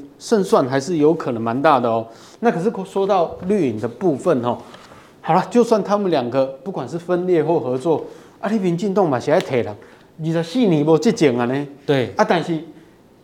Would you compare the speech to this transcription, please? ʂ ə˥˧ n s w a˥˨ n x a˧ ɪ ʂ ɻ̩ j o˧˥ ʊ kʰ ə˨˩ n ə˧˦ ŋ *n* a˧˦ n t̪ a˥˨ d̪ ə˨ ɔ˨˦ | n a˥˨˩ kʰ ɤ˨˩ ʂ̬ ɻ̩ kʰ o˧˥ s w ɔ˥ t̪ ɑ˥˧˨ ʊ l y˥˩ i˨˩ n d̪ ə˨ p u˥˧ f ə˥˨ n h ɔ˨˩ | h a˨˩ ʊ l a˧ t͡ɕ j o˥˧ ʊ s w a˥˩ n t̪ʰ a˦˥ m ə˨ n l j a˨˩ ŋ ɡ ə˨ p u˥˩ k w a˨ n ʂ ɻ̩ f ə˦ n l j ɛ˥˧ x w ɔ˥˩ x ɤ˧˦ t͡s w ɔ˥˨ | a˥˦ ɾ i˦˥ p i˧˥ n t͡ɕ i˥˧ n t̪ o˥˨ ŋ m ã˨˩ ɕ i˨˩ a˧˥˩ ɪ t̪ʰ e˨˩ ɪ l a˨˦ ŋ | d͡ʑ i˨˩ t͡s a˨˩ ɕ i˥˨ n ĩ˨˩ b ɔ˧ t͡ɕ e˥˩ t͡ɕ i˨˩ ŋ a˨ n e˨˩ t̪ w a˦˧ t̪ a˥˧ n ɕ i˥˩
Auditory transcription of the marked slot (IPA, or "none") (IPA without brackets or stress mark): m